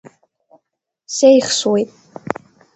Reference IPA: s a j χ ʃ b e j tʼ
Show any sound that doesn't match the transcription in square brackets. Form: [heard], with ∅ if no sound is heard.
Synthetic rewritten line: s [e] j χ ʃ [w] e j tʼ